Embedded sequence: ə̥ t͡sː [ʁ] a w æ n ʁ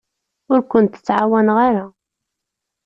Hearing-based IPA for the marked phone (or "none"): ʕ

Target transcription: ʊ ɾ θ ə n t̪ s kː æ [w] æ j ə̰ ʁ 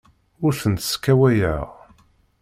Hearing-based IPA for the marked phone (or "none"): w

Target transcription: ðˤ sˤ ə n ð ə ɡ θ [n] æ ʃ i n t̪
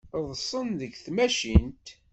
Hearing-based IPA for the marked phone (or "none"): m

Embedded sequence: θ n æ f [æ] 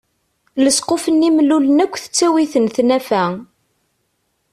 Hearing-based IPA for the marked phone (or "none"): æ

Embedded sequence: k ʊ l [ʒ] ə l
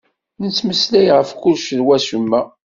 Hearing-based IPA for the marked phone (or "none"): ʃ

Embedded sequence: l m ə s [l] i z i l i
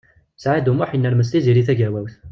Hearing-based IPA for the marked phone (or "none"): l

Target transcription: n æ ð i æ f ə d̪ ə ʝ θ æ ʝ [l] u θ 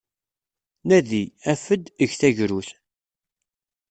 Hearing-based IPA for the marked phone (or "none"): ɾ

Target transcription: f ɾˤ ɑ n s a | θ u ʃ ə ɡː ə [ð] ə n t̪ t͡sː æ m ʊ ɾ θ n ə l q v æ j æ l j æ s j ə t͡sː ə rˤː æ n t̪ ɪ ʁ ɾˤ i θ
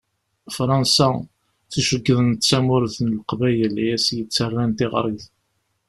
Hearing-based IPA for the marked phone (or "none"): ð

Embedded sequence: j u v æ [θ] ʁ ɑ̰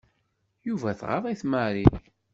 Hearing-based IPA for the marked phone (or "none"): θ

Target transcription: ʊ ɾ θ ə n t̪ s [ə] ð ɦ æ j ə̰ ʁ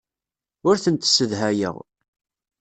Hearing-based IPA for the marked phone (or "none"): ə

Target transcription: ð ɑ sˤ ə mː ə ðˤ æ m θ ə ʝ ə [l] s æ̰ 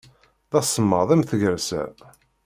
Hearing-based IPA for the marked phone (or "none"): ɾ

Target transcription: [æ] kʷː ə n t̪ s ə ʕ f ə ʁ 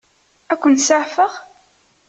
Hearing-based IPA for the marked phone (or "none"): æ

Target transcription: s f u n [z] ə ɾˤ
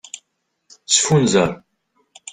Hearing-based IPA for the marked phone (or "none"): z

